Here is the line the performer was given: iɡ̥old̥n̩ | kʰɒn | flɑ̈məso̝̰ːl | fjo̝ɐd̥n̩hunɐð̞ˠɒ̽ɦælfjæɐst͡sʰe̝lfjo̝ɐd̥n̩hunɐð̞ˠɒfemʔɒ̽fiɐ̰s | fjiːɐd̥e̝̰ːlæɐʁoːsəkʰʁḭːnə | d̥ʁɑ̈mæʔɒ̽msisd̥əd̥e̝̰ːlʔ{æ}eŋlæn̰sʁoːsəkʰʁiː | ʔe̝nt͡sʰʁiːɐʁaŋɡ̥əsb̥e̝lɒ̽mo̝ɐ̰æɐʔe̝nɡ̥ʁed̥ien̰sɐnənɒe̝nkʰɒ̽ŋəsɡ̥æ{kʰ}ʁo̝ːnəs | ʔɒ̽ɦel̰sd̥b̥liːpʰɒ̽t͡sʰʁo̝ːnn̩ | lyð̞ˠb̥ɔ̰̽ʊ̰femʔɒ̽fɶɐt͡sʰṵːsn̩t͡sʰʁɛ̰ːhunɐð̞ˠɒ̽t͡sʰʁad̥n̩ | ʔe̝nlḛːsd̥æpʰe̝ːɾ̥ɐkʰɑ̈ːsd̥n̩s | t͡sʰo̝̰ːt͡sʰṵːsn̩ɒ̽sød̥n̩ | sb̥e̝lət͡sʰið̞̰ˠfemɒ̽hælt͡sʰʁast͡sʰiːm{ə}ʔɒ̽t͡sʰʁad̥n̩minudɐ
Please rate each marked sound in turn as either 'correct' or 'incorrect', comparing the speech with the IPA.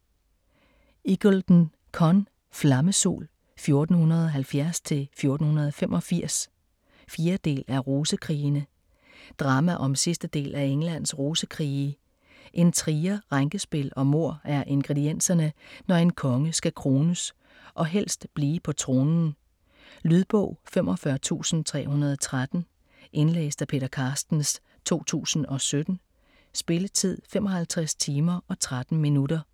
correct, correct, incorrect: ɐ

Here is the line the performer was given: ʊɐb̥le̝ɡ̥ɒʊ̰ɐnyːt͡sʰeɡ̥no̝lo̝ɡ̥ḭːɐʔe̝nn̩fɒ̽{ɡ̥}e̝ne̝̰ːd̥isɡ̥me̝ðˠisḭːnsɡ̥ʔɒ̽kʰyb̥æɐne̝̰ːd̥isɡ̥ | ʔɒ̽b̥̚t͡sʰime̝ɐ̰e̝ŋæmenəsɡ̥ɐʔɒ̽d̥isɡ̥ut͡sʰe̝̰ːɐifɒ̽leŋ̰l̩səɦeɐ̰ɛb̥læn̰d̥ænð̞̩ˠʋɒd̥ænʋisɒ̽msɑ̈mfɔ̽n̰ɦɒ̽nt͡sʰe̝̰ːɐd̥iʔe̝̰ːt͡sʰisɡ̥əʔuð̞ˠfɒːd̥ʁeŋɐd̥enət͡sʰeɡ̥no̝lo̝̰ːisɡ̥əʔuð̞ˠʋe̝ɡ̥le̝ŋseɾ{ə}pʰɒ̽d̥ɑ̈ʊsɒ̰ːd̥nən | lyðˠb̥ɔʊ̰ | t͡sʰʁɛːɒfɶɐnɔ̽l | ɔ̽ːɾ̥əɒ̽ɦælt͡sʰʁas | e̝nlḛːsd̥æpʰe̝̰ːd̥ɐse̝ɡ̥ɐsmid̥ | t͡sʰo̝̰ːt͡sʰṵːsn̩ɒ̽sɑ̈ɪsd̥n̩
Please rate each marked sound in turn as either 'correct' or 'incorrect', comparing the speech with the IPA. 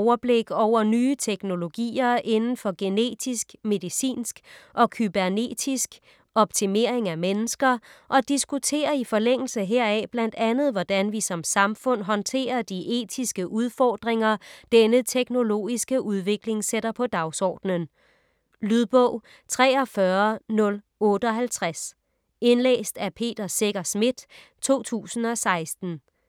correct, incorrect: ɐ

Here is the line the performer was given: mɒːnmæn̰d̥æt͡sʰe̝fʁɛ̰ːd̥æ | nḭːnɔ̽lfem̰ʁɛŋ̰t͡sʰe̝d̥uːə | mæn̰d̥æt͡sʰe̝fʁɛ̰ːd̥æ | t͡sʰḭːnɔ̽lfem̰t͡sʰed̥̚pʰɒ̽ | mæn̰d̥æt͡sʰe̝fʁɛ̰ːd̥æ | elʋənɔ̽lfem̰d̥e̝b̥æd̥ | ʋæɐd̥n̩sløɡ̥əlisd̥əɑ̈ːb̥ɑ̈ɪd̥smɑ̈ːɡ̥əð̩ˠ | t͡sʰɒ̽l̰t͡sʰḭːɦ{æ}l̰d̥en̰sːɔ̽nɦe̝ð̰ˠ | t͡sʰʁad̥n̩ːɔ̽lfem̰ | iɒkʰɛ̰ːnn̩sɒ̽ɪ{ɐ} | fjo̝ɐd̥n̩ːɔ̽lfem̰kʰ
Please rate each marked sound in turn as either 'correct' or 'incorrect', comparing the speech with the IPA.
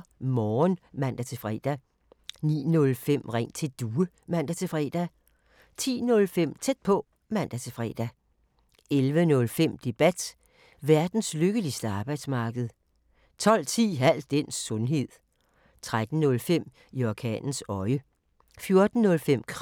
correct, incorrect: ə

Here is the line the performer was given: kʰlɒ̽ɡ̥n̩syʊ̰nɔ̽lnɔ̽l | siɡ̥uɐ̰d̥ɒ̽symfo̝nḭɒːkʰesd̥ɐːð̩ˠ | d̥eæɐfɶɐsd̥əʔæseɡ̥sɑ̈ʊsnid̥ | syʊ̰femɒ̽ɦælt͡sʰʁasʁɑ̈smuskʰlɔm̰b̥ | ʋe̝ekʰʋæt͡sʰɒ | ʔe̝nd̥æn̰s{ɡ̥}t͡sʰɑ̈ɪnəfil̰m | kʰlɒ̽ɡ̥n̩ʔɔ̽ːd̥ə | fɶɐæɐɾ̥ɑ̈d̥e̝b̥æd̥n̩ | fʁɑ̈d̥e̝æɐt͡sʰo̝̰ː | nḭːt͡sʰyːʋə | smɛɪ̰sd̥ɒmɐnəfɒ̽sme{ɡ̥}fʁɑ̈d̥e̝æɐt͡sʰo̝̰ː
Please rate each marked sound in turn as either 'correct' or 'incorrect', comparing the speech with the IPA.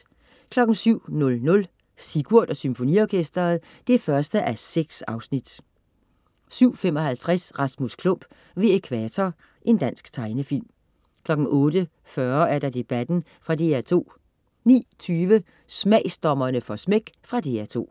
correct, correct

